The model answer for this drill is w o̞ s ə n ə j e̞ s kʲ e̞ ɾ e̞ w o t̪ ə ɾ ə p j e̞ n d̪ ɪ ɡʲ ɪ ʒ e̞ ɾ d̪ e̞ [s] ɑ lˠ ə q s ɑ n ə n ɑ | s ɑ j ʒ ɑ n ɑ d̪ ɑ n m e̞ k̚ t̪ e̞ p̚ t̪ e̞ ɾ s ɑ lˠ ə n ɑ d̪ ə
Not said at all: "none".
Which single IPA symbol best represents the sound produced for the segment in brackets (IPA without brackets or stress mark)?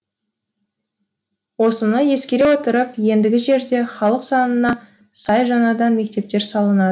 χ